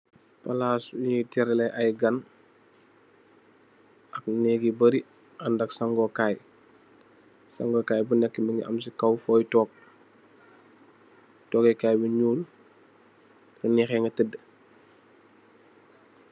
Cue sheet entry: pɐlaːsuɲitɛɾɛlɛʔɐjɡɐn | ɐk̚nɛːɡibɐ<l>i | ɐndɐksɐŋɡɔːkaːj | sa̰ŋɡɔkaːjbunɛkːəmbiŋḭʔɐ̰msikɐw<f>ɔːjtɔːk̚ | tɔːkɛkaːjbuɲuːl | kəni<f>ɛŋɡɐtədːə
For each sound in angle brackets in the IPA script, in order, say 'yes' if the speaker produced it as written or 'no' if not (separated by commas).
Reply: no, yes, no